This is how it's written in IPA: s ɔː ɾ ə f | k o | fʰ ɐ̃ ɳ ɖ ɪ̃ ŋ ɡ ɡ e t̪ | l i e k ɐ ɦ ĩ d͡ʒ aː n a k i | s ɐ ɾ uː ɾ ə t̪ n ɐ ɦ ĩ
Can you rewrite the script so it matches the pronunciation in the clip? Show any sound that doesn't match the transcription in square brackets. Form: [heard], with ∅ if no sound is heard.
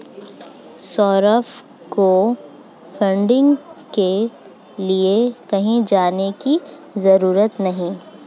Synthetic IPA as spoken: s ɔː ɾ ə f | k o | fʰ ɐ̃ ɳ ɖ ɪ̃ ŋ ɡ [k] e [∅] | l i e k ɐ ɦ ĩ d͡ʒ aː n [e] k i | [z] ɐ ɾ uː ɾ ə t̪ n ɐ ɦ ĩ